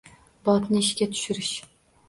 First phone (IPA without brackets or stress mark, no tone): b